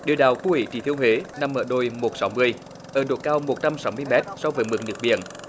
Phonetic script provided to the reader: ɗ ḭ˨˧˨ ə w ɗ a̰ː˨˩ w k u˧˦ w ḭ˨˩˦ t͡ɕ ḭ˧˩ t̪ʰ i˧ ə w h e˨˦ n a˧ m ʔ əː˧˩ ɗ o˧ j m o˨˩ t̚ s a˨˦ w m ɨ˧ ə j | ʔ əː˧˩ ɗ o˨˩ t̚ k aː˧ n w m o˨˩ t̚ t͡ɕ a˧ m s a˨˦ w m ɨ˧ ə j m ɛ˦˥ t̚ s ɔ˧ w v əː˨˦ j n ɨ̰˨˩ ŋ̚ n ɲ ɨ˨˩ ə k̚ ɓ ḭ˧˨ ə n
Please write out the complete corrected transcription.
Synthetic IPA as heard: ɗ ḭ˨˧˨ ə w ɗ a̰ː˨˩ w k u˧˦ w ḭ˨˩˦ t͡ɕ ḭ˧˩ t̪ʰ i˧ ə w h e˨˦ n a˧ m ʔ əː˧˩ ɗ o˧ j m o˨˩ t̚ s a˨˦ w m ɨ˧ ə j | ʔ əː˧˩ ɗ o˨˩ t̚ k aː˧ w m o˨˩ t̚ t͡ɕ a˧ m s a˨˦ w m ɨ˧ ə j m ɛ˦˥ t̚ s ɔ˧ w v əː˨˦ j m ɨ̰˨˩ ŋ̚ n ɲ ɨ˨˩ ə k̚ ɓ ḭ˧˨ ə n

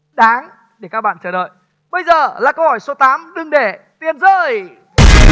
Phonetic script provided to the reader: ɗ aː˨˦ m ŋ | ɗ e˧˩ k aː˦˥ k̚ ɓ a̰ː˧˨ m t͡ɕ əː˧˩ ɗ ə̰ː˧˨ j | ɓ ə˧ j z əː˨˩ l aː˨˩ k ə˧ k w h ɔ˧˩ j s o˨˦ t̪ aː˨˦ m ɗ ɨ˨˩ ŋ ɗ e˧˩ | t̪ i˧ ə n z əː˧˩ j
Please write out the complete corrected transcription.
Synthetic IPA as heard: ɗ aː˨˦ ŋ | ɗ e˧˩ k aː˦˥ k̚ ɓ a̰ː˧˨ n t͡ɕ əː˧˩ ɗ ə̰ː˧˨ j | ɓ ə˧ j z əː˨˩ l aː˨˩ k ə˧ w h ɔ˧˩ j s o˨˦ t̪ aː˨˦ m ɗ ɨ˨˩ ŋ ɗ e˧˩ | t̪ i˧ ə n z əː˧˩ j

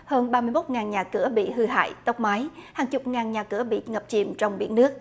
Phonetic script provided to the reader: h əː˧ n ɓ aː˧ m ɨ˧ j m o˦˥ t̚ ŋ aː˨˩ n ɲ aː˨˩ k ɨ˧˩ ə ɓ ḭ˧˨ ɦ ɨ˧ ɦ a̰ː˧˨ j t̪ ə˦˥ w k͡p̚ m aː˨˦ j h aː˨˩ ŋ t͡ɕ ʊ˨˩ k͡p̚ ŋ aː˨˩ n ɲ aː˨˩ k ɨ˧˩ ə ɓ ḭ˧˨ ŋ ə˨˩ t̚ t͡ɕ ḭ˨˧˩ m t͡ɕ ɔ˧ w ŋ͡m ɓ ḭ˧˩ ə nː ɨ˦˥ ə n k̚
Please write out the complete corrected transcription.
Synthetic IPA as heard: h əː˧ n ɓ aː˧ m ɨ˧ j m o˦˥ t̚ ŋ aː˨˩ n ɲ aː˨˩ k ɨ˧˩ ə ɓ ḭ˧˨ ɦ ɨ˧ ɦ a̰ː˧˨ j t̪ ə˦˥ w k͡p̚ m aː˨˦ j h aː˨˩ ŋ t͡ɕ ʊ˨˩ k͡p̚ ŋ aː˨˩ n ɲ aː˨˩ k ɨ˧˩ ə ɓ ḭ˧˨ ŋ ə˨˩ p̚ t͡ɕ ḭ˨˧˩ m t͡ɕ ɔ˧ w ŋ͡m ɓ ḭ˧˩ ə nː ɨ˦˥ ə k̚

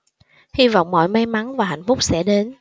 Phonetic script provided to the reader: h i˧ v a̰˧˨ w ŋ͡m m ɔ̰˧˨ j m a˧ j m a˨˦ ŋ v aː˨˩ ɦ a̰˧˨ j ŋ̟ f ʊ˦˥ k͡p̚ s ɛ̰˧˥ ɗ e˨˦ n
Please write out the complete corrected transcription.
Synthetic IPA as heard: h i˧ v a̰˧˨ w ŋ͡m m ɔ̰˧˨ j m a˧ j m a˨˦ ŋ v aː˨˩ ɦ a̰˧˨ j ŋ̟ f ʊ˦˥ k͡p̚ s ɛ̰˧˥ ɗ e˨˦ n

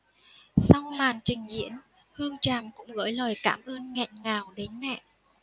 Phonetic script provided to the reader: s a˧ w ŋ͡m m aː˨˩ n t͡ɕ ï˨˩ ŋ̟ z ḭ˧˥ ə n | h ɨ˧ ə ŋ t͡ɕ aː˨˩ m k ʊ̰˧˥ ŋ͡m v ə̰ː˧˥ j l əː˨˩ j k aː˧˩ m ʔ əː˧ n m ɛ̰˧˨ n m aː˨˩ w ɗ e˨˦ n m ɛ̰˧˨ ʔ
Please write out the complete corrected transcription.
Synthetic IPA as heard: s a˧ w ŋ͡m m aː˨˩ n t͡ɕ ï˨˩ ŋ̟ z ḭ˧˥ ə n | h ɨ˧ ə ŋ t͡ɕ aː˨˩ m k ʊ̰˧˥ ŋ͡m ɣ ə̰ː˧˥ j l əː˨˩ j k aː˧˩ m ʔ əː˧ n ŋ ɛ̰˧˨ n ŋ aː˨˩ w ɗ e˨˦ n m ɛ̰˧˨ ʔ

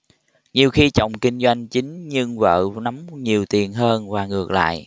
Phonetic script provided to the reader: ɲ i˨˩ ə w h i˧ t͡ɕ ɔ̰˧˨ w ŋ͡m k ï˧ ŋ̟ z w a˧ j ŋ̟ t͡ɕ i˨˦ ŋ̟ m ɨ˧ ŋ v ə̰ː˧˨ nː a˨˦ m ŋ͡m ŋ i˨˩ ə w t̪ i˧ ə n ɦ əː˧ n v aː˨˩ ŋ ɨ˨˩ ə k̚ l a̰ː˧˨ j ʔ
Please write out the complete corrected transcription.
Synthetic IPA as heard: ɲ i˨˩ ə w x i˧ t͡ɕ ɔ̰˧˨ w ŋ͡m k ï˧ ŋ̟ z w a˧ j ŋ̟ t͡ɕ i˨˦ ŋ̟ ɲ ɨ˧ ŋ v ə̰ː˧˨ n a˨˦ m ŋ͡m ɲ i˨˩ ə w t̪ i˨˩ ə n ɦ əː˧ n v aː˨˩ ŋ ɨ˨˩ ə k̚ l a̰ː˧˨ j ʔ

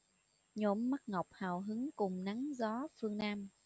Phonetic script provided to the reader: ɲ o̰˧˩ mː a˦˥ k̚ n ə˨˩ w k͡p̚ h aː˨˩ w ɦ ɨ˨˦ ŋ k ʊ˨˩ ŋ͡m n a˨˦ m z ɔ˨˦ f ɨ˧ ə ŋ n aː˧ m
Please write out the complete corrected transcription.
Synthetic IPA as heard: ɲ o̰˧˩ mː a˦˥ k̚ ŋ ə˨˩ w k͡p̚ h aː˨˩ w ɦ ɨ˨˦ ŋ k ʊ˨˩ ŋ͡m n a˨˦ ŋ z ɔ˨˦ f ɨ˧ ə ŋ n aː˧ m

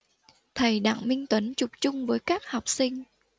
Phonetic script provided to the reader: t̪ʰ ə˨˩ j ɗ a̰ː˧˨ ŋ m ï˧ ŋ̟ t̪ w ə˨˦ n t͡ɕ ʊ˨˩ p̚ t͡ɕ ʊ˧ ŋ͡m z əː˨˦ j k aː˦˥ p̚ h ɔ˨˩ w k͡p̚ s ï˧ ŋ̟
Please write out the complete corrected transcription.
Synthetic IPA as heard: t̪ʰ ə˨˩ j ɗ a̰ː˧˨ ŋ m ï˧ ŋ̟ t̪ w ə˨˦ n t͡ɕ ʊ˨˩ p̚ t͡ɕ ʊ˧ ŋ͡m v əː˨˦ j k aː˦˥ k̚ h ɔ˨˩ w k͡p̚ s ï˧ ŋ̟

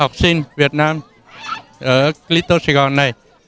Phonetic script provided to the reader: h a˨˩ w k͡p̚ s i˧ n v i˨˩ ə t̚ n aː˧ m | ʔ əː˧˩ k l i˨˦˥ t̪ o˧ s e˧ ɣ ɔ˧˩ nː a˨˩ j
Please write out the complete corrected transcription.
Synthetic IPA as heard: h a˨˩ w k͡p̚ s i˧ n v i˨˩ ə t̚ n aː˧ m | ʔ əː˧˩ k l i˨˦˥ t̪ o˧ s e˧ ɣ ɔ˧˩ nː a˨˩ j

